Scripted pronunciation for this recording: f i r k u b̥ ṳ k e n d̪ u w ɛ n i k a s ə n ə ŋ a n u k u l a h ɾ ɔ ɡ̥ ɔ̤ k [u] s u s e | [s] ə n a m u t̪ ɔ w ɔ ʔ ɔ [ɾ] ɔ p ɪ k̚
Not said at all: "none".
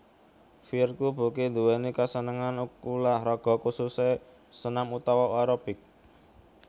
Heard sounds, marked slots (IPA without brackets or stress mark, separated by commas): u, s, ɾ